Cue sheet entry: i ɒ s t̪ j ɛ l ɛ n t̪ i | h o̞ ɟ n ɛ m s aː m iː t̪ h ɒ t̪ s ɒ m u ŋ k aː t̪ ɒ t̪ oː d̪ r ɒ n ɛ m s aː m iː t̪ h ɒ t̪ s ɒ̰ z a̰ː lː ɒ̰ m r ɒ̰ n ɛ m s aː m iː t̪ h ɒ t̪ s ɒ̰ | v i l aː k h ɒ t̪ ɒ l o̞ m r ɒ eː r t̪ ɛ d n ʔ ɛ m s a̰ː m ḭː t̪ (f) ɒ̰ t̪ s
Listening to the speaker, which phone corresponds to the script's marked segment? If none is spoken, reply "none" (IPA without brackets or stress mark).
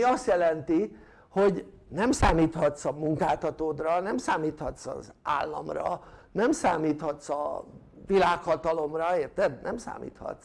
h